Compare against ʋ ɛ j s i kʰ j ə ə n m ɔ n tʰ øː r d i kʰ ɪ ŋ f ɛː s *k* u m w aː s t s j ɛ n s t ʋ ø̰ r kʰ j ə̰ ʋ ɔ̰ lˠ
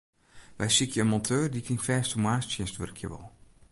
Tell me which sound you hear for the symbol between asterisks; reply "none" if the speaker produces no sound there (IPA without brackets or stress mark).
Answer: t